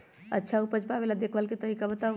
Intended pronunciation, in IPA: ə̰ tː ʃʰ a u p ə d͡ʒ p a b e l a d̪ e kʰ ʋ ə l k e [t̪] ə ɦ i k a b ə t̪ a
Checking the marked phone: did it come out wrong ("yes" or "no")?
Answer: no